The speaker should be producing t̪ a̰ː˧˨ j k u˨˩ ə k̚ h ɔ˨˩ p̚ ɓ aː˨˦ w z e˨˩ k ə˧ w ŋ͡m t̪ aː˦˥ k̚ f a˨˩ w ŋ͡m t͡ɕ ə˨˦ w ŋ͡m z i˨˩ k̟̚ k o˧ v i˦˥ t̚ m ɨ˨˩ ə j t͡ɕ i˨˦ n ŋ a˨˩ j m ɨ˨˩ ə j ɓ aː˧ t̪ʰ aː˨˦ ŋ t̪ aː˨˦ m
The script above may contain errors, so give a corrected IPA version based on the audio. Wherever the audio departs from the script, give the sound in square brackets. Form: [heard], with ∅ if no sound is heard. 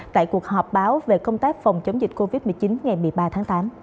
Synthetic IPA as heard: t̪ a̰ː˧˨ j k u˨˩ ə k̚ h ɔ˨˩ p̚ ɓ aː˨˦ w [v] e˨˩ k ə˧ w ŋ͡m t̪ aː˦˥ k̚ f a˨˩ w ŋ͡m t͡ɕ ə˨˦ w ŋ͡m z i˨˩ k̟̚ k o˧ v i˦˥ t̚ m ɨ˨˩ ə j t͡ɕ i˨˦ n ŋ a˨˩ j m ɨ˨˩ ə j ɓ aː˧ t̪ʰ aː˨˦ ŋ t̪ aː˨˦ m